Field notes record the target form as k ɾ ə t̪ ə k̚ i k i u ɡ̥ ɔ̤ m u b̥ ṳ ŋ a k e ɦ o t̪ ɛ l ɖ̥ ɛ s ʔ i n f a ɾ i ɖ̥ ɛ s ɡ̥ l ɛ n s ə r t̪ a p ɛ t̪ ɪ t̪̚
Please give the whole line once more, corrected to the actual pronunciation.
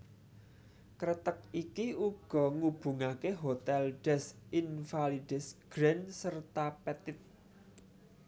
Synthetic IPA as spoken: k ɾ ə t̪ ə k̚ i k i u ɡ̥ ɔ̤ ŋ u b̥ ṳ ŋ a k e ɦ o t̪ ɛ l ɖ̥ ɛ s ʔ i n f a l i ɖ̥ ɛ s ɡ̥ ɾ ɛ n s ə r t̪ a p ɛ t̪ ɪ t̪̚